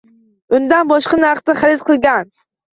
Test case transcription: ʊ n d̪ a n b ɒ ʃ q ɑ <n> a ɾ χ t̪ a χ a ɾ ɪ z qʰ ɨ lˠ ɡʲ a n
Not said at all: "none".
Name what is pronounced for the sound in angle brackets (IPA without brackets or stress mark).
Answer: n